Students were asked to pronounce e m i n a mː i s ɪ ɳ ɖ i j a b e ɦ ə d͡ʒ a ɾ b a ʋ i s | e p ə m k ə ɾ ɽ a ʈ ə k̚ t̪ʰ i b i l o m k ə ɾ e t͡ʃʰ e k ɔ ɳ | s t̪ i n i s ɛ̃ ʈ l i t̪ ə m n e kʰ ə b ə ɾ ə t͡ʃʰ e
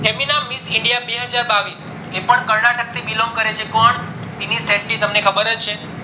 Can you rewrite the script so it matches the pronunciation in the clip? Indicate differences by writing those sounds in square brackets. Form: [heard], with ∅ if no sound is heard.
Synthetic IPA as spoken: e m i n a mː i s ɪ ɳ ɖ i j a b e ɦ ə d͡ʒ a ɾ b a ʋ i s | e p ə [ɳ] k ə ɾ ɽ a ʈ ə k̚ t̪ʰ i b i l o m k ə ɾ e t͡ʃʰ e k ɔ ɳ | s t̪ i n i s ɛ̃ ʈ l i t̪ ə m n e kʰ ə b ə ɾ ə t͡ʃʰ e